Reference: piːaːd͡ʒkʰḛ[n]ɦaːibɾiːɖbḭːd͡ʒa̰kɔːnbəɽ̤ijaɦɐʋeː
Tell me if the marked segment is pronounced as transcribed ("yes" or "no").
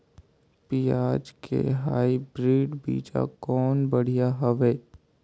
no